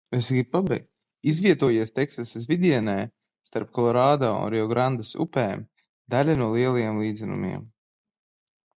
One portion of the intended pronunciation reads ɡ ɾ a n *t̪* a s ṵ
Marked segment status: incorrect: d̪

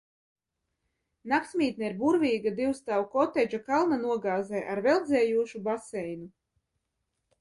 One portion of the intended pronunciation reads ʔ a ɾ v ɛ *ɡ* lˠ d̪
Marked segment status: incorrect: none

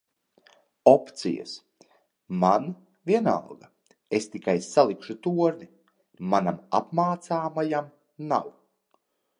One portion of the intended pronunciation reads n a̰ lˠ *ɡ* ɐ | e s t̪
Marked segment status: correct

